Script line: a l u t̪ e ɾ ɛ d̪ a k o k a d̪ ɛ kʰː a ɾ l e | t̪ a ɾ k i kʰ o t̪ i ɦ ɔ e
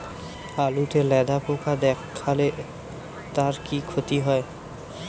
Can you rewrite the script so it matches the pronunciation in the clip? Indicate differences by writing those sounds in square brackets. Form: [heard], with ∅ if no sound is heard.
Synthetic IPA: a l u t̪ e [l] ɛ d̪ a [p] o k a d̪ ɛ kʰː a [∅] l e | t̪ a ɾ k i kʰ o t̪ i ɦ ɔ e